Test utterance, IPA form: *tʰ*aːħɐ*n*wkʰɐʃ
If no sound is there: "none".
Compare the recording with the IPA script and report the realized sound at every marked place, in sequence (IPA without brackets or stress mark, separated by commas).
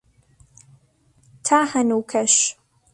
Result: tʰ, n